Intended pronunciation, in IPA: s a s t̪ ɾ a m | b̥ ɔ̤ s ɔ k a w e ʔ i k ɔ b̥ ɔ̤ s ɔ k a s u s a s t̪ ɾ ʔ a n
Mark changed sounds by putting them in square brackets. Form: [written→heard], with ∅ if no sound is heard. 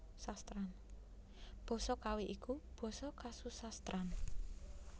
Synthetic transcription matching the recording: s a s t̪ ɾ a [m→n] | b̥ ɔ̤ s ɔ k a w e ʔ i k [ɔ→u] b̥ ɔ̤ s ɔ k a s u s a s t̪ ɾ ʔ a n